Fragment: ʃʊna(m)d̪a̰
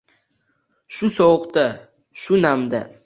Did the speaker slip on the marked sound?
no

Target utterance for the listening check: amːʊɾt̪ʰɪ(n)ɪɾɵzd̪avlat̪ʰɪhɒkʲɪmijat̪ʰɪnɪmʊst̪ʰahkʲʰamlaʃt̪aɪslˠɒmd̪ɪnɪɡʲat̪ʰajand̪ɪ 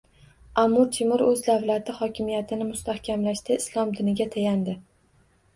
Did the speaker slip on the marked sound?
yes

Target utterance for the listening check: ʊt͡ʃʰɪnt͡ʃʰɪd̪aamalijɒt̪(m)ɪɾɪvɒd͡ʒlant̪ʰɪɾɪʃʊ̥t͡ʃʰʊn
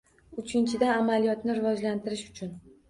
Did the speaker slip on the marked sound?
yes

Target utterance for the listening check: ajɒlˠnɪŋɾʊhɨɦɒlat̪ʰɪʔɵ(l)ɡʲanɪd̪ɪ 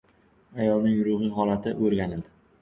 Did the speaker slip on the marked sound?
yes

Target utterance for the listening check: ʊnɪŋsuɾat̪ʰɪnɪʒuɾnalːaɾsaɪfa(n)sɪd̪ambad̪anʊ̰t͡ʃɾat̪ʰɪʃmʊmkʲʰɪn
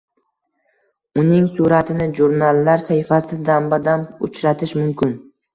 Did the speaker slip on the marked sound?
yes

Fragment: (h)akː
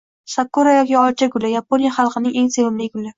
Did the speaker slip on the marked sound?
yes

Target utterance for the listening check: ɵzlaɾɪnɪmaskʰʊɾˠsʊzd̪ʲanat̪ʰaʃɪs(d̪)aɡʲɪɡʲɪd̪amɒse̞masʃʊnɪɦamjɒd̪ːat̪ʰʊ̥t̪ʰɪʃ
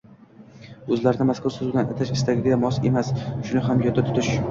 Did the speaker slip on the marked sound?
yes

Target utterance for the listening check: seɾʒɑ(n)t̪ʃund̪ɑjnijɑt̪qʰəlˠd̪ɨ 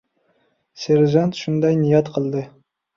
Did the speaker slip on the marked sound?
no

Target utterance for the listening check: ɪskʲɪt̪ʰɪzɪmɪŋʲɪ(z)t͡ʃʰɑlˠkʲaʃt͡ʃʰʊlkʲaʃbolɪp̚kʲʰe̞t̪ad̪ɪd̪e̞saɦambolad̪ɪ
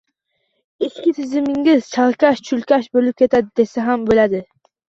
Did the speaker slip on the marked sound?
no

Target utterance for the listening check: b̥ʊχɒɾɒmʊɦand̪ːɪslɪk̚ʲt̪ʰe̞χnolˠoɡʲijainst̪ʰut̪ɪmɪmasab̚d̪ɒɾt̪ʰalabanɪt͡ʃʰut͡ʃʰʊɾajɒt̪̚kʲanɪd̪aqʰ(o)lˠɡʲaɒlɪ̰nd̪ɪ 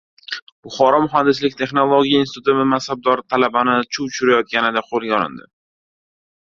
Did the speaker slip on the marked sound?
no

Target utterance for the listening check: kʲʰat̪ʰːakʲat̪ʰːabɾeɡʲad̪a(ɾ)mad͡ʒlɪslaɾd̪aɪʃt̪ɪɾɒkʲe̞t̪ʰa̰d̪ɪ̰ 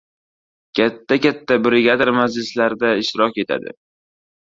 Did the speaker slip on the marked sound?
no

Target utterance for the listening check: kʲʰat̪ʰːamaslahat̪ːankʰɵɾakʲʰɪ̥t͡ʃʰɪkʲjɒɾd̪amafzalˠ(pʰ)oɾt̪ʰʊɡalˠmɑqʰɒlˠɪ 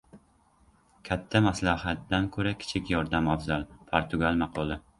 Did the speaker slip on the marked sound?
no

